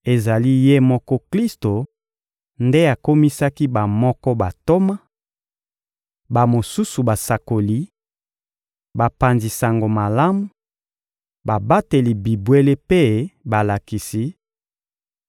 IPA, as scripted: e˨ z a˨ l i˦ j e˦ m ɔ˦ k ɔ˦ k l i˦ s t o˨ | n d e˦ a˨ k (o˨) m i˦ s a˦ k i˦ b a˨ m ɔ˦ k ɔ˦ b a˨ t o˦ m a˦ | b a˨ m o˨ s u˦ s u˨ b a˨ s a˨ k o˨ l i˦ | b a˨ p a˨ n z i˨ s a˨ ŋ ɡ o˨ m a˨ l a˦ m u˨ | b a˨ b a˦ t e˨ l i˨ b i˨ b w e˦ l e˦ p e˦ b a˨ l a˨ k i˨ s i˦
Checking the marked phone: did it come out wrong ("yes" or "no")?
yes